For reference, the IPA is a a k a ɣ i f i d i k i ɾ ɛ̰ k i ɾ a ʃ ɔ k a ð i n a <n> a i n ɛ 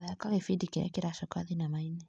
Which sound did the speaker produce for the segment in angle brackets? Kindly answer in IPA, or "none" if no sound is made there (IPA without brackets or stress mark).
m